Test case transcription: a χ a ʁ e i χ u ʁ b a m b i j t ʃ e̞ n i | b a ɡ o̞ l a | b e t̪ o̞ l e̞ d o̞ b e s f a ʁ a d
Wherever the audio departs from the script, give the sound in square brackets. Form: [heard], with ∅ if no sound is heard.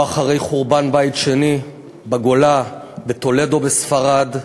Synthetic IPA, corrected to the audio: a χ a ʁ e [j] χ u ʁ b a [n] b [a] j t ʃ e̞ n i | b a ɡ o̞ l a | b e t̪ o̞ l e̞ d o̞ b e s f a ʁ a d

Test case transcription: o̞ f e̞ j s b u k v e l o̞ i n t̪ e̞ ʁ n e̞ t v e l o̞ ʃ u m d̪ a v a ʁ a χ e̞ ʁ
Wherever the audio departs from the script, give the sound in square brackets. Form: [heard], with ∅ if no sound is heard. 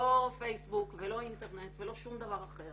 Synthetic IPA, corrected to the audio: o̞ f e̞ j s b u k v e l o̞ i n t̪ e̞ ʁ n e̞ t v e l o̞ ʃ u m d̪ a v a ʁ a χ e̞ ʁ

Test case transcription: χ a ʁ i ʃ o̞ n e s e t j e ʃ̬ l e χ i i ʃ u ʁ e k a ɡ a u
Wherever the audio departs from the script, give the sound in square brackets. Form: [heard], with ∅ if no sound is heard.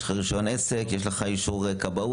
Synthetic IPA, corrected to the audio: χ a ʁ i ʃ o̞ n e s e [k] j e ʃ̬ l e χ [a] i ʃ u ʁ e k a [b] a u

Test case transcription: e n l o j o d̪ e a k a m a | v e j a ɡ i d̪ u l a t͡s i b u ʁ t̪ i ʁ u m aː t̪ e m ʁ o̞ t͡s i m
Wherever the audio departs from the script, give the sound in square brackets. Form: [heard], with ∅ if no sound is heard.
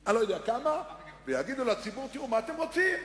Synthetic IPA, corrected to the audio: [a] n l o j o d̪ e a k a m a | v e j a ɡ i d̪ u l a t͡s i b u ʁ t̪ i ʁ u m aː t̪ e m ʁ o̞ t͡s i m

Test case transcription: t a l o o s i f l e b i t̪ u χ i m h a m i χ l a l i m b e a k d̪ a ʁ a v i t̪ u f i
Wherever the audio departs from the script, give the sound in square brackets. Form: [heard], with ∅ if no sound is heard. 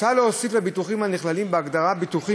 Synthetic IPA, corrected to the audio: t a l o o s i f l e b i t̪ u χ i m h a [n] i χ l a l i m b e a [ɡ] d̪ a ʁ a [b] i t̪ u [χ] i

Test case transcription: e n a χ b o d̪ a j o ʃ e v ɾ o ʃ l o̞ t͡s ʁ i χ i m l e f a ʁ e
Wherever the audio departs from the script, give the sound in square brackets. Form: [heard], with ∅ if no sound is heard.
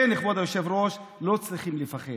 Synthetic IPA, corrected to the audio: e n [i] χ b o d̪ a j o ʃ e v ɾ o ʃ l o̞ t͡s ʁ i χ i m l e f a [χ] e

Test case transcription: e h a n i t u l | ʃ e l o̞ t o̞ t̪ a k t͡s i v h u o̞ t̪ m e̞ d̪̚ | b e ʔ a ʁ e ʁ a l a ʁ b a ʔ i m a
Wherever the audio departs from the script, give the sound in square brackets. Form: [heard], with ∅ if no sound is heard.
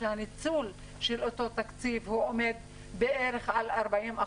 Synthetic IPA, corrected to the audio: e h a n i [t͡s] u l | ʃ e l o̞ t o̞ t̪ a k t͡s i v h u o̞ [∅] m e̞ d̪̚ | b e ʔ [e] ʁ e [χ] a l a ʁ b a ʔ i m a

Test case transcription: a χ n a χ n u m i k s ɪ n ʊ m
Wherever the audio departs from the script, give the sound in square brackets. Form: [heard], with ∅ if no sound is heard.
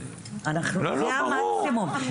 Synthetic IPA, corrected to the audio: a [∅] n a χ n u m [a] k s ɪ [m] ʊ m

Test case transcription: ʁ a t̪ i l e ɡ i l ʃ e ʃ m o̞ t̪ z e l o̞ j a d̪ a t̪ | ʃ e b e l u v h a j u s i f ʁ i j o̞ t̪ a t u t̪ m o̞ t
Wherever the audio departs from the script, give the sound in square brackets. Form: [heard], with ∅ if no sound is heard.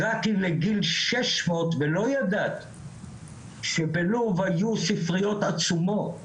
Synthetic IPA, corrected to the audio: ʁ a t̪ i l e ɡ i l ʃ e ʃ m o̞ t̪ [v] e l o̞ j a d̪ a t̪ | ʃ e b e l u v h a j u s i f ʁ i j o̞ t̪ a [t͡s] u [∅] m o̞ t

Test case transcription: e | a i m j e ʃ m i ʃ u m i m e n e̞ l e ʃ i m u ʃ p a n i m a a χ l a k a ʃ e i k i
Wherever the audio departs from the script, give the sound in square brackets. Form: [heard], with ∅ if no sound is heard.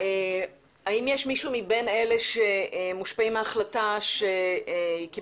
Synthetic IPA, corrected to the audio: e | a i m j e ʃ m i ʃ u m i [b] e n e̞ l e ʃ [e] m u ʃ p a [∅] i m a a χ l a [t] a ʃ e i k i

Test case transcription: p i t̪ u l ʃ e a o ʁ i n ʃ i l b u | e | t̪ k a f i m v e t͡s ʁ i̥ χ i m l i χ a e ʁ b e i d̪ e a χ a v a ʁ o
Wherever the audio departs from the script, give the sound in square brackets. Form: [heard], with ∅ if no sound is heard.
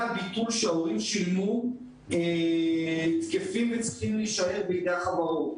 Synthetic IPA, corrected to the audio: [b] i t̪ u l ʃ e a o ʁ i [m] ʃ i l [m] u | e | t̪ k [e] f i m v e t͡s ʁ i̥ χ i m l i [ʃ] a e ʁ b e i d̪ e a χ a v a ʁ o

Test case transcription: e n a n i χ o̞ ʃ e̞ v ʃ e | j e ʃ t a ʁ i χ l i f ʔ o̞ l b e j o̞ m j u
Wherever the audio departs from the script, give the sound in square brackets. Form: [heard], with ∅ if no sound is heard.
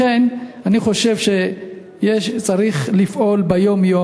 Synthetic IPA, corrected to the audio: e n a n i χ o̞ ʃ e̞ v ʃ e | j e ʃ [t͡s] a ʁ i χ l i f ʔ o̞ l b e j o̞ m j [o]

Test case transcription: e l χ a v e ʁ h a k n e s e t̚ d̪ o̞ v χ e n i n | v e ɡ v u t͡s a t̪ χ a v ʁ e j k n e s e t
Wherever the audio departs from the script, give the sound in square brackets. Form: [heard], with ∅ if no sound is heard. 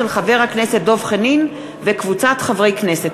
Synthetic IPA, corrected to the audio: e l χ a v e ʁ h a k n e s e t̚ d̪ o̞ v χ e n i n | v e [k] v u t͡s a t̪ χ a v ʁ e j k n e s e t

